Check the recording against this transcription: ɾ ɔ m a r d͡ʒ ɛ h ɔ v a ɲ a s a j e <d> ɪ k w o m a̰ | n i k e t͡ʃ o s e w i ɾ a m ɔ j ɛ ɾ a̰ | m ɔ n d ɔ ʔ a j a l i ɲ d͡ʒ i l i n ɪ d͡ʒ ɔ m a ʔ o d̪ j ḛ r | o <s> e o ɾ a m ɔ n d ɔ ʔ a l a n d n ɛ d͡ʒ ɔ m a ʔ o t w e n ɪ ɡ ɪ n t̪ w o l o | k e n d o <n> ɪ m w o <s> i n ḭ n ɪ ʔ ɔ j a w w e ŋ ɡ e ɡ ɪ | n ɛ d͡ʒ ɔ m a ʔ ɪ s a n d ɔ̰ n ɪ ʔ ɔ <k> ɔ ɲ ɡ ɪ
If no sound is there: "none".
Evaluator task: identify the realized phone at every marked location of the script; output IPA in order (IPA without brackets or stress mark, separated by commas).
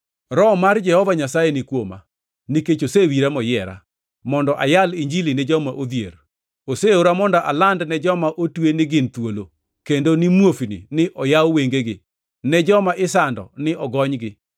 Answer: n, s, n, f, ɡ